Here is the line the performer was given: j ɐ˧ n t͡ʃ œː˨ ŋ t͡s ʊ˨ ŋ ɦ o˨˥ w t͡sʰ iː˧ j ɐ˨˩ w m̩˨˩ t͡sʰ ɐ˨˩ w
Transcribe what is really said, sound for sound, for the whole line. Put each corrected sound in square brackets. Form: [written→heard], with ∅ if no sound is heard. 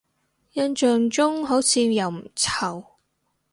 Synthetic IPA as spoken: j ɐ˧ n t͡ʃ œː˨ ŋ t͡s [ʊ˨→ʊ˥] ŋ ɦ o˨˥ w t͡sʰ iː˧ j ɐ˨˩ w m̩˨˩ t͡sʰ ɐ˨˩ w